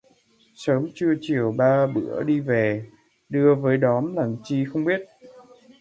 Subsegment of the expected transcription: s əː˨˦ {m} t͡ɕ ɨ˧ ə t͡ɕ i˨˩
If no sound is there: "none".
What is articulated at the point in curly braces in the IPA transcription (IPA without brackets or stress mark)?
m